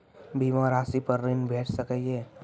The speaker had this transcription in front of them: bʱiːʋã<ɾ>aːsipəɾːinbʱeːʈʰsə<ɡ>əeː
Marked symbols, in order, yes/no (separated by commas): yes, no